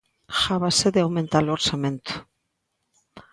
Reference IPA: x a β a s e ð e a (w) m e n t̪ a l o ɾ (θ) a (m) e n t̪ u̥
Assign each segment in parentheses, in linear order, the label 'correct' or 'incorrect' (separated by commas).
correct, incorrect, correct